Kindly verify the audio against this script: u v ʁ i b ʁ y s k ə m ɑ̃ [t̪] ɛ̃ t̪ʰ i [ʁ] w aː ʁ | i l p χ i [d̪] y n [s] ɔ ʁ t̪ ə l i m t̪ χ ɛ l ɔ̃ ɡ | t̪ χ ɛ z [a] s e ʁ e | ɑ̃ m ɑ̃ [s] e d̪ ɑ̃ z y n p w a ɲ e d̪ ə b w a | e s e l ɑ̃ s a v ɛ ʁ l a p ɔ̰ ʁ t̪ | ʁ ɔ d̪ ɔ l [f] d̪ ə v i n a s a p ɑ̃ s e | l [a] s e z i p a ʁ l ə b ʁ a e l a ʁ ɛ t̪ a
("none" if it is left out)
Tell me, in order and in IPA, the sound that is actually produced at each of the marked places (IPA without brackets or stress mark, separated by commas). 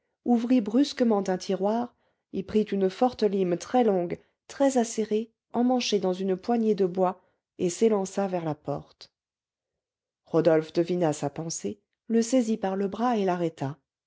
t̪, ʁ, t̪, f, a, ʃ, f, ə